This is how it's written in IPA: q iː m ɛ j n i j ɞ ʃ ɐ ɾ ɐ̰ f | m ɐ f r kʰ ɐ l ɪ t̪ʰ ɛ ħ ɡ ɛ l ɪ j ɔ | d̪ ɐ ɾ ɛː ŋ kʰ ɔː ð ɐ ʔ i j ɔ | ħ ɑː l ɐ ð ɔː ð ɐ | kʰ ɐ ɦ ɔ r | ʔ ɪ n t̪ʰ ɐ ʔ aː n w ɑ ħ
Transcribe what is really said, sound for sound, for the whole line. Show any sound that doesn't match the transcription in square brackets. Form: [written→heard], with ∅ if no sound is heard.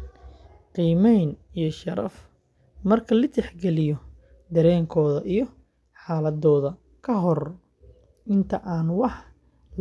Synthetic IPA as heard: q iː m ɛ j n i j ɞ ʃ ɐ ɾ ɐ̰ f | m ɐ [f→∅] r kʰ ɐ l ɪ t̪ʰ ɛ ħ ɡ ɛ l ɪ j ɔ | d̪ ɐ ɾ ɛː ŋ kʰ ɔː ð ɐ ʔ i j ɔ | ħ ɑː l ɐ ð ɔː ð ɐ | kʰ ɐ ɦ ɔ r | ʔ ɪ n t̪ʰ ɐ ʔ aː n w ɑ ħ